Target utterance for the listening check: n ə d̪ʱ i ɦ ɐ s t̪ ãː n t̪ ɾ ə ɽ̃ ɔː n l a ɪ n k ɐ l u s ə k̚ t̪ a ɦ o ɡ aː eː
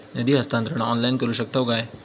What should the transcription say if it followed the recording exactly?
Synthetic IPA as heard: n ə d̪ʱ i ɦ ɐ s t̪ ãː n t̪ ɾ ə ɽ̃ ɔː n l a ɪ n k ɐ ɾ u ʃ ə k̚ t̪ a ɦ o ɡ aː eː